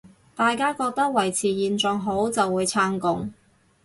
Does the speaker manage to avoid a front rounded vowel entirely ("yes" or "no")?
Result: yes